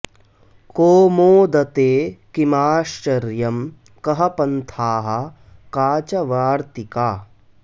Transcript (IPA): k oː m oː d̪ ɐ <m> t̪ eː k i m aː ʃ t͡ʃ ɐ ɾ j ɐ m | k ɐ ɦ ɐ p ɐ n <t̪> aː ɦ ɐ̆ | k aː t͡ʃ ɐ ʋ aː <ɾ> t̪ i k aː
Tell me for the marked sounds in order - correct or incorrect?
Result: incorrect, incorrect, correct

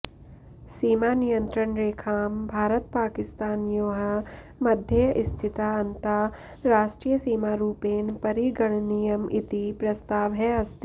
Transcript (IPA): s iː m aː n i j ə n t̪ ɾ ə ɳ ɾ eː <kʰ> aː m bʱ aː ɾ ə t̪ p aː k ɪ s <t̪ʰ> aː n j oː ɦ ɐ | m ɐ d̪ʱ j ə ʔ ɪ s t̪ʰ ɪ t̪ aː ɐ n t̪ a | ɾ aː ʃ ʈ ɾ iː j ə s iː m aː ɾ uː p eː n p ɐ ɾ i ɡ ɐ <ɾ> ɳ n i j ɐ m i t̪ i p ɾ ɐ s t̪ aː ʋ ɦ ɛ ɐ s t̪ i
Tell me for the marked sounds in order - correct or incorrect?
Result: correct, incorrect, incorrect

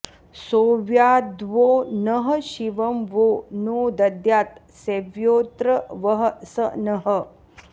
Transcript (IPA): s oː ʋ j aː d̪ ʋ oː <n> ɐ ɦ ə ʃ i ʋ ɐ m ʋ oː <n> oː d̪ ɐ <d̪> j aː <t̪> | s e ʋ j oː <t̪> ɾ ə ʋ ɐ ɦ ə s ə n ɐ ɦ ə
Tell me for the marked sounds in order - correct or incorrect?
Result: correct, correct, correct, correct, correct

